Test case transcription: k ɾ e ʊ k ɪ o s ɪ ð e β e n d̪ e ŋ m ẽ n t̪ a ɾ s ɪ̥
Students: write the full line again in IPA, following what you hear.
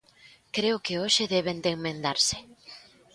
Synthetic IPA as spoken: k ɾ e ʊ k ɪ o ʃ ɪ ð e β e n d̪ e ŋ m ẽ n d̪ a ɾ s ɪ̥